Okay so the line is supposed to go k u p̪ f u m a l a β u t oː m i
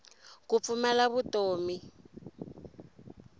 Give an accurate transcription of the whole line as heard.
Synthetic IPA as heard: k u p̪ f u m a l a β u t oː m i